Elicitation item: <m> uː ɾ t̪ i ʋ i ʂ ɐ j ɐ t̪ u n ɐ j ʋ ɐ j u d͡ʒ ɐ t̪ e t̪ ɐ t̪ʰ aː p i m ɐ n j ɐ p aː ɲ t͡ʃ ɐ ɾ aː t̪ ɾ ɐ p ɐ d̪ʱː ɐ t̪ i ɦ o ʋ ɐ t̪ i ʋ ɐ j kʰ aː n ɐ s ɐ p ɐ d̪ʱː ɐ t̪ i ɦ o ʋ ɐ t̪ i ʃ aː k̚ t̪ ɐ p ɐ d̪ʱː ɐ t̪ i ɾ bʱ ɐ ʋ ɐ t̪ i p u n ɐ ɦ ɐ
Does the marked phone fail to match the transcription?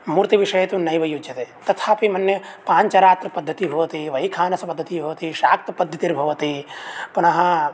no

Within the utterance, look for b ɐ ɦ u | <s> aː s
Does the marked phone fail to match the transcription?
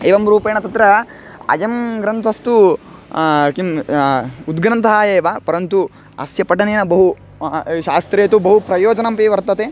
yes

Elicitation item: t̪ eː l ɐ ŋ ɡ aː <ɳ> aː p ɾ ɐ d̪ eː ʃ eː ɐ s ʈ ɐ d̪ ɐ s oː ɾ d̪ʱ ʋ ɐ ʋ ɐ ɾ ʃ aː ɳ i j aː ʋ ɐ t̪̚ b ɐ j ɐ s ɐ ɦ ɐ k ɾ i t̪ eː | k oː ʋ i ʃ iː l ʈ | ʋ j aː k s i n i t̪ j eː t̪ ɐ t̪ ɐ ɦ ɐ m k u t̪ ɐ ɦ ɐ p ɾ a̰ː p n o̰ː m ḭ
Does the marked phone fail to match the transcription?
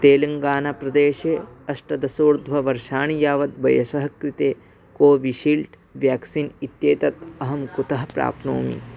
yes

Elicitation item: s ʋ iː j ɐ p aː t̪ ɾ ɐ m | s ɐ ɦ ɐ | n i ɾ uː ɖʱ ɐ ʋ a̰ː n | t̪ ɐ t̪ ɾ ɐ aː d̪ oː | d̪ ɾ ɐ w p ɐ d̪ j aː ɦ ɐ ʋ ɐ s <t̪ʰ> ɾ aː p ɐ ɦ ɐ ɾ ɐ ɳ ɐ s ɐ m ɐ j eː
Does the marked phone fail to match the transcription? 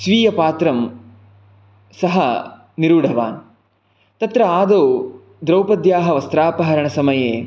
yes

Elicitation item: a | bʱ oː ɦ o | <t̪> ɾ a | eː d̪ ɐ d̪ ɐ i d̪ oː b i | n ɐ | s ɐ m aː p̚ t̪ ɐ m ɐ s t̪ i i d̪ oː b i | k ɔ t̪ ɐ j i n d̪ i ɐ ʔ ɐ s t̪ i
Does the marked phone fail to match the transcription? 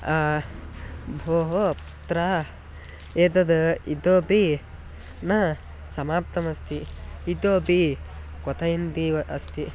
no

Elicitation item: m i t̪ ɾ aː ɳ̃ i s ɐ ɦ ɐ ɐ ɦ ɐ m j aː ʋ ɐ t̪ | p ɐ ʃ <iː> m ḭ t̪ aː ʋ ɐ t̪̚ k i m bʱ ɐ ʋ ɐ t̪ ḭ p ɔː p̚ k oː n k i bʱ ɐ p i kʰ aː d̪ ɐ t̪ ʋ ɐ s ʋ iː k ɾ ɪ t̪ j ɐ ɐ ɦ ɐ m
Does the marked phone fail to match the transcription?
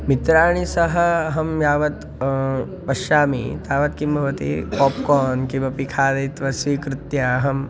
yes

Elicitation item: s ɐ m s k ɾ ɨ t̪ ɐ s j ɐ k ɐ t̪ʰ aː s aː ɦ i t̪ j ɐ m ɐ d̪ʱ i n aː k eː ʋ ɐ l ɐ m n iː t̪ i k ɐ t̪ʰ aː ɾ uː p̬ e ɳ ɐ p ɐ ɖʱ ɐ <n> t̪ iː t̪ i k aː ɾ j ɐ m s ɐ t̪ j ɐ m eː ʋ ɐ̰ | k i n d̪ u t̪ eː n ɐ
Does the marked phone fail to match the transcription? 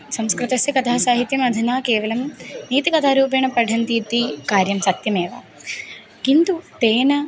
no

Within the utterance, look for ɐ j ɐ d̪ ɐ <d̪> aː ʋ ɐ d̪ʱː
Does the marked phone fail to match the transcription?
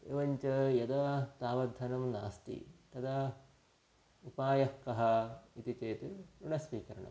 yes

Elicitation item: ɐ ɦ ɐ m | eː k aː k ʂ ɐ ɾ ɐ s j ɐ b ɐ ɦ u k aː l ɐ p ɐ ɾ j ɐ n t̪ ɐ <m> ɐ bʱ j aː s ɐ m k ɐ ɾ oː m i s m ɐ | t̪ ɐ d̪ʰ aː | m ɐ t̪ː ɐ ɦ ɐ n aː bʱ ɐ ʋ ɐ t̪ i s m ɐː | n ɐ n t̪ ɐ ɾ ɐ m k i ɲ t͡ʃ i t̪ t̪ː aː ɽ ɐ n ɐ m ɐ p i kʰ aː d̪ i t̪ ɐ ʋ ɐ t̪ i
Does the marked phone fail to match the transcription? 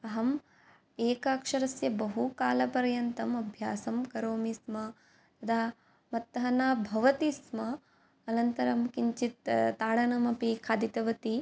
no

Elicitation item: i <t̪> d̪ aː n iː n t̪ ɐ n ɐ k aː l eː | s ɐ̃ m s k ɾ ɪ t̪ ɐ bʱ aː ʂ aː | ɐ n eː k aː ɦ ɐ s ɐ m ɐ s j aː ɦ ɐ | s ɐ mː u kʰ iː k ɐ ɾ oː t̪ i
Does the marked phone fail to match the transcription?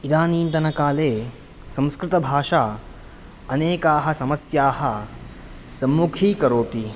yes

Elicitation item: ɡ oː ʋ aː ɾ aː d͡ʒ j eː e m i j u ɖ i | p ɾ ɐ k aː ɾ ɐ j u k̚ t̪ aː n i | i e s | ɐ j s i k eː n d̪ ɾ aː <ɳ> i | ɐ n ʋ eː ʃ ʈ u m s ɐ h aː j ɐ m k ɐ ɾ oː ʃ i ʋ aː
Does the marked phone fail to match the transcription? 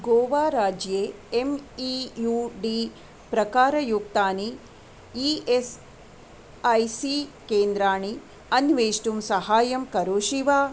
no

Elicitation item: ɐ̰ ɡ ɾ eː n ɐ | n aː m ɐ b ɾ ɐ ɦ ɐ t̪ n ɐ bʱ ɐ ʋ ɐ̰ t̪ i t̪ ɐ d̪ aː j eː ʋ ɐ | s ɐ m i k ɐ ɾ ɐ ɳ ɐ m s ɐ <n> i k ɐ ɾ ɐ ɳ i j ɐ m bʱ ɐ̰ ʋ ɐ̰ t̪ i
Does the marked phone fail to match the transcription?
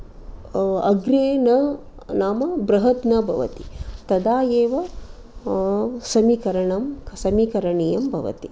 yes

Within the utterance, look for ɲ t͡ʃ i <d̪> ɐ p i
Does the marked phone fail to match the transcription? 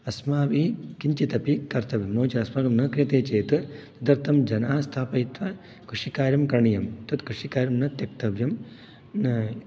yes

